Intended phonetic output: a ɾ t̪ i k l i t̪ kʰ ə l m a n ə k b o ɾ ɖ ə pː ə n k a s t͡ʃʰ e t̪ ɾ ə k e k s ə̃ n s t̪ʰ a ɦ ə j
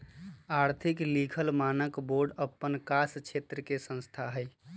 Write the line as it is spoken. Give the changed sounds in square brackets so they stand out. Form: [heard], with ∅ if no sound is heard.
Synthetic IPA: a ɾ [t̪ʰ] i k l i [∅] kʰ ə l m a n ə k b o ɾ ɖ ə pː ə n k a s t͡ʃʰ e t̪ ɾ ə k e [∅] s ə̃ n s t̪ʰ a ɦ ə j